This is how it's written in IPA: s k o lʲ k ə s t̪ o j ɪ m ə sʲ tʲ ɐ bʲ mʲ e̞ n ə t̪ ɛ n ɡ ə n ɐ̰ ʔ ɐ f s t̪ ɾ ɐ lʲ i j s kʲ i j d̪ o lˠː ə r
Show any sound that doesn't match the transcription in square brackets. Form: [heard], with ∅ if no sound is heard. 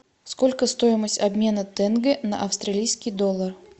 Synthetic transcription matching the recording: s k o lʲ k ə s t̪ o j ɪ m ə sʲ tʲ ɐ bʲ mʲ e̞ n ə t̪ ɛ n ɡ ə n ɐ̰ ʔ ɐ f s t̪ ɾ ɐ lʲ i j s kʲ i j d̪ o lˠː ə r